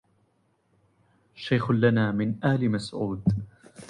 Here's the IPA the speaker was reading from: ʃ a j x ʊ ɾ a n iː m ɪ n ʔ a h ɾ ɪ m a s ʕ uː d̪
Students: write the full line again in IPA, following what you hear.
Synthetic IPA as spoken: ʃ a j x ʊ l a n aː m ɪ n ʔ a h l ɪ m a s ʕ uː d̪